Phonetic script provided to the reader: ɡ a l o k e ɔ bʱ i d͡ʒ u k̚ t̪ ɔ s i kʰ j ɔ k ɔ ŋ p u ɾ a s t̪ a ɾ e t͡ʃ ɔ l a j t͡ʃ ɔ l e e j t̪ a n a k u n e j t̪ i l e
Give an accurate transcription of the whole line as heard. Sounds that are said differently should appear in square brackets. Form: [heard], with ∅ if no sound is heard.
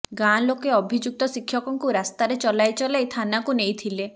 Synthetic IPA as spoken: ɡ a l o k e ɔ bʱ i d͡ʒ u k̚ t̪ ɔ s i kʰ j ɔ k ɔ ŋ [k] u ɾ a s t̪ a ɾ e t͡ʃ ɔ l a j t͡ʃ ɔ l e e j [t̪ʰ] a n a k u n e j [t̪ʰ] i l e